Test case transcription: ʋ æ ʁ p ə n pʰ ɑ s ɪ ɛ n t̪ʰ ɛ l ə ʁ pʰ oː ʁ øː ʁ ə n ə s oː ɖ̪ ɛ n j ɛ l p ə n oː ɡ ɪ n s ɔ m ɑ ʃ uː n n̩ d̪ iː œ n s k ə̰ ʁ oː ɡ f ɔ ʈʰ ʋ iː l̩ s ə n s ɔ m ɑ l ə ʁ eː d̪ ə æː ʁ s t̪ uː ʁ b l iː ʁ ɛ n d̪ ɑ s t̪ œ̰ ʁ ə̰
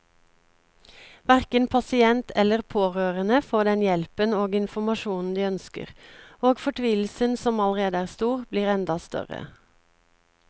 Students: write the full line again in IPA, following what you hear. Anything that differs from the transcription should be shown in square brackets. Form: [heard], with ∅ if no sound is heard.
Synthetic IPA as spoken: ʋ æ ʁ [k] ə n pʰ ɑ s ɪ ɛ n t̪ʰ ɛ l ə ʁ pʰ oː ʁ øː ʁ ə n ə [f] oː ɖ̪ ɛ n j ɛ l p ə n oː ɡ ɪ n [f] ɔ m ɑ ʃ uː n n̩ d̪ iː œ n s k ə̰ ʁ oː ɡ f ɔ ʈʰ ʋ iː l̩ s ə n s ɔ m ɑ l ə ʁ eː d̪ ə æː ʁ s t̪ uː ʁ b l iː ʁ ɛ n d̪ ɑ s t̪ œ̰ ʁ ə̰